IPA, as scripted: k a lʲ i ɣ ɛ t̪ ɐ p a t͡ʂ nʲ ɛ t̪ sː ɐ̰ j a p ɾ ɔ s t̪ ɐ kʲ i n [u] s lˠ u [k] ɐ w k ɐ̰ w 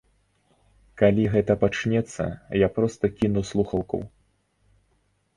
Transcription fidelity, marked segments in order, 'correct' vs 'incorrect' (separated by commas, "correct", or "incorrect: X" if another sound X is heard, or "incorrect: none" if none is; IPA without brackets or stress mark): correct, incorrect: x